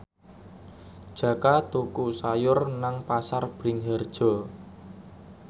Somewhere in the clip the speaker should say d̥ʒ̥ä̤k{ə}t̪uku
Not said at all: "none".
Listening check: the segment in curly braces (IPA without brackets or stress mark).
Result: a